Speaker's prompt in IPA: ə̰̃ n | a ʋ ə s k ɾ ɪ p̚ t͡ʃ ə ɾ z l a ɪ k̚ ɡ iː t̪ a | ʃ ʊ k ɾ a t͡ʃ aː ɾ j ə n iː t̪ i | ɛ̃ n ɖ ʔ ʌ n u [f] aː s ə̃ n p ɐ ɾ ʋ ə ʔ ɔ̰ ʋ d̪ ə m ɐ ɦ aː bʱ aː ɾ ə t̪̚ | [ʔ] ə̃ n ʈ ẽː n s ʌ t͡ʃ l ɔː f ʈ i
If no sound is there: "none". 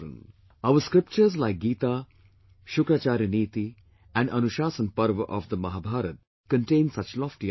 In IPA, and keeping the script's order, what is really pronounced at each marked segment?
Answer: ʃ, k

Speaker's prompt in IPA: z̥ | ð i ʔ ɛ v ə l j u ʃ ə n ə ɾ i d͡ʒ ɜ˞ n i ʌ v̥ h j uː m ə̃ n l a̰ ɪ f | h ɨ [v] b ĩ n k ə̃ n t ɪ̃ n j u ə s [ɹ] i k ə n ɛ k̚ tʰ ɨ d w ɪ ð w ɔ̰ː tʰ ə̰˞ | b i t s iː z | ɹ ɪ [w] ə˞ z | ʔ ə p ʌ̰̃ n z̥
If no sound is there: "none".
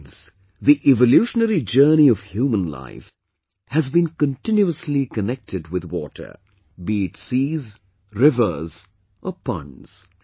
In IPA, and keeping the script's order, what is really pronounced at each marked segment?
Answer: z, l, v

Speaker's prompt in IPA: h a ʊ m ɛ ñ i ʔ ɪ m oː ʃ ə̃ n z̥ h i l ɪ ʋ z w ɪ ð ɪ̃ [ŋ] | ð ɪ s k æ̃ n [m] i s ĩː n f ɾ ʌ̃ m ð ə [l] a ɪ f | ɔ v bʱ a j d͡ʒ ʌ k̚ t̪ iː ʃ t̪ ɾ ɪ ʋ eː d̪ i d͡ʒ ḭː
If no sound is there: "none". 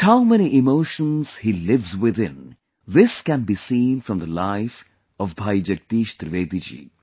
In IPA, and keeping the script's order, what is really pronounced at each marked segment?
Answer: n, b, l

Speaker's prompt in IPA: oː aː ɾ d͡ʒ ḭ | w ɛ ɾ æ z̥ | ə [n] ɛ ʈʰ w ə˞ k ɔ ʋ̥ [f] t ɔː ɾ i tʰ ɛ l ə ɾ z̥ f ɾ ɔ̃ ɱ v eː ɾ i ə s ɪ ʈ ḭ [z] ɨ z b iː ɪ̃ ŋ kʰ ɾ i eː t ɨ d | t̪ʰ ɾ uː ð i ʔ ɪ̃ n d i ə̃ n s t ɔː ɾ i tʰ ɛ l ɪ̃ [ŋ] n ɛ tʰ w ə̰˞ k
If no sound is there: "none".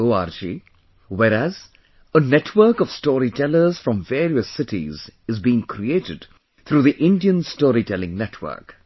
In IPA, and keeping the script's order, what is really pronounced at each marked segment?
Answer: n, s, z, ŋ

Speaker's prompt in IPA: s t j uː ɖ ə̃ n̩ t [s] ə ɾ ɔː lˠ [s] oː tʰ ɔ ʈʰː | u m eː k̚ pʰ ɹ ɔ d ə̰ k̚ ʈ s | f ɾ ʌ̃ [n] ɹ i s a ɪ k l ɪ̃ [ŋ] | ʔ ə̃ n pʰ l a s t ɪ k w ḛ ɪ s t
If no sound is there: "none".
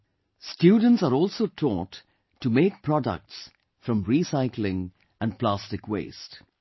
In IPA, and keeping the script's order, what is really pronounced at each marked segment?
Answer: s, s, m, ŋ

